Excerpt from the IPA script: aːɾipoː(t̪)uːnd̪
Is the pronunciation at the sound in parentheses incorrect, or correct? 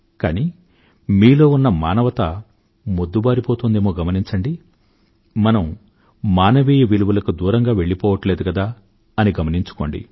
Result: correct